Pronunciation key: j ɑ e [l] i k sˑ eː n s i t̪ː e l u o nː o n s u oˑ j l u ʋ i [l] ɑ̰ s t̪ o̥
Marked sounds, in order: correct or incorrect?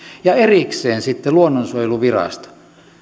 incorrect, incorrect

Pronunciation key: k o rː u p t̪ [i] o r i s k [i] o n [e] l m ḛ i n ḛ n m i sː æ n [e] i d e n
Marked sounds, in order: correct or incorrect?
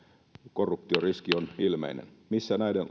correct, correct, incorrect, incorrect

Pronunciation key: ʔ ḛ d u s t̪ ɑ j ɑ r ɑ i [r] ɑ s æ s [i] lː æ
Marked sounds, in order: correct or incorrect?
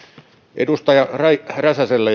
correct, incorrect

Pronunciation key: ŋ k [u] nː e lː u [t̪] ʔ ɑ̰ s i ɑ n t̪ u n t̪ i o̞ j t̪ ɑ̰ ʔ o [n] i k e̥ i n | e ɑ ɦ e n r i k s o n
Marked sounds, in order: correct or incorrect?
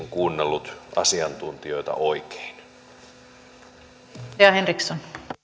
incorrect, correct, incorrect

